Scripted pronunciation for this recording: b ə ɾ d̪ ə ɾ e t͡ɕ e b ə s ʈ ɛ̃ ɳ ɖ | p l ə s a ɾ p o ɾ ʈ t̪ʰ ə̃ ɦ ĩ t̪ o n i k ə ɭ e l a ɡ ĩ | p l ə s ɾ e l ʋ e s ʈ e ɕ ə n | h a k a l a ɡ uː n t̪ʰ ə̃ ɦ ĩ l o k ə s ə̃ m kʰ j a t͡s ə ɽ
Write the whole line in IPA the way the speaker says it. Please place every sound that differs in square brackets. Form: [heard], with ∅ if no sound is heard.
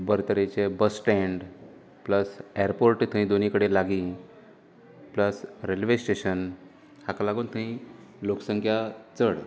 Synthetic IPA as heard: b ə ɾ [t̪] ə ɾ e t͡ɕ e b ə s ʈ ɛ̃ ɳ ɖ | p l ə s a ɾ p o ɾ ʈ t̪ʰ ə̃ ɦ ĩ [d̪] o n i k ə [ɽ] e l a ɡ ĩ | p l ə s ɾ e l ʋ e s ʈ e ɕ ə n | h a k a l a ɡ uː n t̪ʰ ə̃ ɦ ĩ l o k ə s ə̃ [ŋ] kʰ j a t͡s ə ɽ